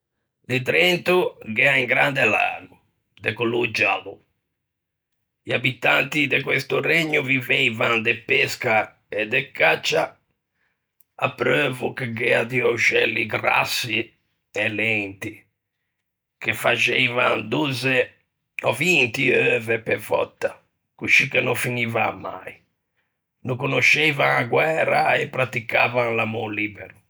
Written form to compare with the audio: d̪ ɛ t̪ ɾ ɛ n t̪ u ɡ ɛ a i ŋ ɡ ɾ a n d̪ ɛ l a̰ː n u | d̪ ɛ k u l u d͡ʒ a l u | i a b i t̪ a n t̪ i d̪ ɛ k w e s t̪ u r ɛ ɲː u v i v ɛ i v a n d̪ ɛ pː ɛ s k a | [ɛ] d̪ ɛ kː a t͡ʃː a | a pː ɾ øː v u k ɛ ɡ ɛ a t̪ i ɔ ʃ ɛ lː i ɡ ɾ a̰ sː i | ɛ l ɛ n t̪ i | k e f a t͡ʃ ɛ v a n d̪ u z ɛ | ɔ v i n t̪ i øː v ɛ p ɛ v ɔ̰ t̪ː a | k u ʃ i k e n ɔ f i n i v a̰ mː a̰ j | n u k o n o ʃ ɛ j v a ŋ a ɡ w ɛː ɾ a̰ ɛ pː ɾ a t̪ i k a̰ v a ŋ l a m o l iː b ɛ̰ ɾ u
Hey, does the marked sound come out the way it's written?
yes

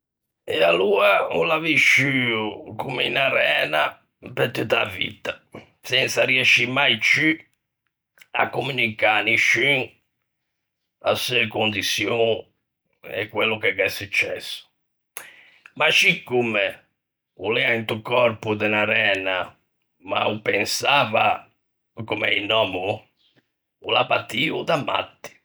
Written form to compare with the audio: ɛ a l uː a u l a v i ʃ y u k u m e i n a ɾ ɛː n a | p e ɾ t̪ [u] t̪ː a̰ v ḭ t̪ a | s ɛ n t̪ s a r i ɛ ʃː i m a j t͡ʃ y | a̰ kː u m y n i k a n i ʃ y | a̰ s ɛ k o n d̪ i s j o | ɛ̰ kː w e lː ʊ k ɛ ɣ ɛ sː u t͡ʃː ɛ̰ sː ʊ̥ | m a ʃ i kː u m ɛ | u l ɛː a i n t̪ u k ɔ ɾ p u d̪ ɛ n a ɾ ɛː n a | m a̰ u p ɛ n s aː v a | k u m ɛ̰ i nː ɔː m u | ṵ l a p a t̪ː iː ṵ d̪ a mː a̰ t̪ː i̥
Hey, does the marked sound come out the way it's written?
yes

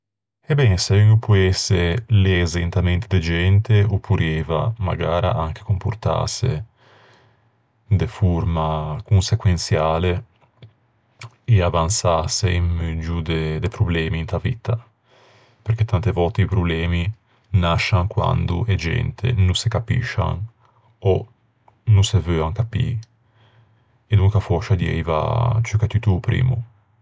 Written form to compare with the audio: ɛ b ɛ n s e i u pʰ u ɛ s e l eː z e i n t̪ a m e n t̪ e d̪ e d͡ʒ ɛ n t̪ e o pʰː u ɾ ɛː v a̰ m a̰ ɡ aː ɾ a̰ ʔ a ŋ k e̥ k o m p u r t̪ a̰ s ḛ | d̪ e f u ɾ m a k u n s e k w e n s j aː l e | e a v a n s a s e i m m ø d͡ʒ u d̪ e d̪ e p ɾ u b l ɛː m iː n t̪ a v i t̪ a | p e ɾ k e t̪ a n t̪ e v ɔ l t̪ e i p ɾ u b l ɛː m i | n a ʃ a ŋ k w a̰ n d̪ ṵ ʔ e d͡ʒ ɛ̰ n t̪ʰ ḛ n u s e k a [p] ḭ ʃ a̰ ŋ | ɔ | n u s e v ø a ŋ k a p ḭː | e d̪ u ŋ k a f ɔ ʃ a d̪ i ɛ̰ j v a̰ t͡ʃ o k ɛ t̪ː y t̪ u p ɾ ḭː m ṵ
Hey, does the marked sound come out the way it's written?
yes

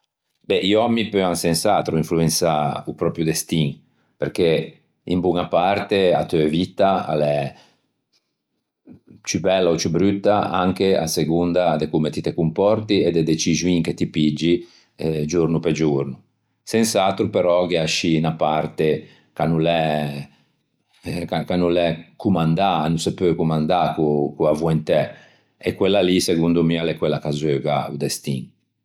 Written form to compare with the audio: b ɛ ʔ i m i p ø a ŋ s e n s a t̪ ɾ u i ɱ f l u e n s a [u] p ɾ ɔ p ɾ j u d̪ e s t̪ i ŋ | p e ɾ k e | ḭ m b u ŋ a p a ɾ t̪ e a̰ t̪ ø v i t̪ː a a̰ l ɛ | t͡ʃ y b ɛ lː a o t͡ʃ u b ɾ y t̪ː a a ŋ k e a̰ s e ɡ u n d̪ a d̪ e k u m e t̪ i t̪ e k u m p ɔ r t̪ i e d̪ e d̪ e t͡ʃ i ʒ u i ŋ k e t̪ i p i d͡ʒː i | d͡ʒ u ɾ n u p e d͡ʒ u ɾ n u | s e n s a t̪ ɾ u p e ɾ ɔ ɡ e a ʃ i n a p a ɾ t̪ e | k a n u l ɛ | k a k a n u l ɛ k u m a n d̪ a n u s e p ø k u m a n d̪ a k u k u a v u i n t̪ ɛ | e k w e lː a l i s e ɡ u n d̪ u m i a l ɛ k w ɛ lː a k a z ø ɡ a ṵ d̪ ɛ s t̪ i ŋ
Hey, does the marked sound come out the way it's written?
yes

